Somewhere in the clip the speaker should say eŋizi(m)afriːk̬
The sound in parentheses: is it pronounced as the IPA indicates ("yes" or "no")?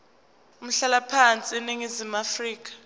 yes